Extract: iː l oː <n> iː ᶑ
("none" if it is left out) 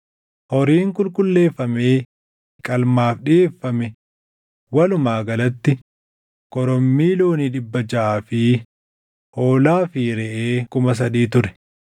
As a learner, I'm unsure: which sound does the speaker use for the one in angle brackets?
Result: n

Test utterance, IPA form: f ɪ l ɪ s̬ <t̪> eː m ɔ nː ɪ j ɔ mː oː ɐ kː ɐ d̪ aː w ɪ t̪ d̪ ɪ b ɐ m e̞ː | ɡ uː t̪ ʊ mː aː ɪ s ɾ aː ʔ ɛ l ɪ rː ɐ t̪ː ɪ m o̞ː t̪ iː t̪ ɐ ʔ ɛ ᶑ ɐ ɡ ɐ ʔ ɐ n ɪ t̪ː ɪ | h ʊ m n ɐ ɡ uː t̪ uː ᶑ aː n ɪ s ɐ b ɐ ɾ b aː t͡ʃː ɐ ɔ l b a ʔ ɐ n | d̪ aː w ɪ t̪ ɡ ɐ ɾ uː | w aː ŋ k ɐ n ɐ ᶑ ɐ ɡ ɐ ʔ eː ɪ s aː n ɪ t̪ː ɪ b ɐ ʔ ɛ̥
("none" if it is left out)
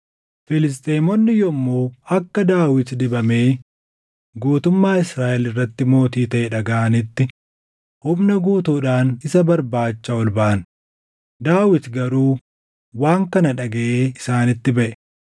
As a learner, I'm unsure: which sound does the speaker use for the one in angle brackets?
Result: t̪ʼ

